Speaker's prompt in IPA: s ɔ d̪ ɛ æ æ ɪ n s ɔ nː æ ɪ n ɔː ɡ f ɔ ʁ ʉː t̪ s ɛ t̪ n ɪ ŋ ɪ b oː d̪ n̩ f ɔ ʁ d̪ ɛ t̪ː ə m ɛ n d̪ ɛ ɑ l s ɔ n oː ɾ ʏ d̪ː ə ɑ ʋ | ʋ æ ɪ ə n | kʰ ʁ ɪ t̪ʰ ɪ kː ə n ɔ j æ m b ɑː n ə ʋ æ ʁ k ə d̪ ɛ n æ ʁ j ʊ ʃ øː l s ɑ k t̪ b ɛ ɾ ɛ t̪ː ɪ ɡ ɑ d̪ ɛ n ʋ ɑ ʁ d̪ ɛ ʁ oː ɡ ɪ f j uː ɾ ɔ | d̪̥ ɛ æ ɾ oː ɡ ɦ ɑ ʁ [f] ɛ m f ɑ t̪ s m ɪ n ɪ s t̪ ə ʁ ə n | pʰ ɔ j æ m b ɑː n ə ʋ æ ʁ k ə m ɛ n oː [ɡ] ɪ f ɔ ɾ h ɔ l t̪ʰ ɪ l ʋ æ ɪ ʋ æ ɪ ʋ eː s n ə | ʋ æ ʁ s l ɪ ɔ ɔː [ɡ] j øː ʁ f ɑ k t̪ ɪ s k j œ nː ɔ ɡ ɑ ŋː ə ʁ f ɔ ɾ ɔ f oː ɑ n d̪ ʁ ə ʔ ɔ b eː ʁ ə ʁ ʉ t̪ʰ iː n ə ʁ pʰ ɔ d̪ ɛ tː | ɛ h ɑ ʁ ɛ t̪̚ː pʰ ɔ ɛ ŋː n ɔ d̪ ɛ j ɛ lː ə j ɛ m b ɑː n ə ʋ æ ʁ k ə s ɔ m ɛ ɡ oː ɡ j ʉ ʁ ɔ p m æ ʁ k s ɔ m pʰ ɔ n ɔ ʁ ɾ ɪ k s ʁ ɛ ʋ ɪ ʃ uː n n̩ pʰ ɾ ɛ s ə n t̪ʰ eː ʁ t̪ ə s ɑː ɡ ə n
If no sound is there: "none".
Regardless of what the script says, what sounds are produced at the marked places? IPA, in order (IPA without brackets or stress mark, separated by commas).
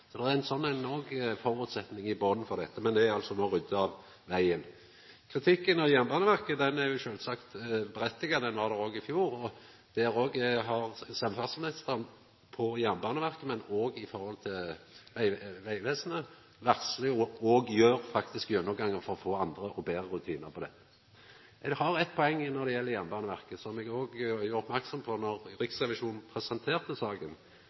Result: s, ɡ, ɡ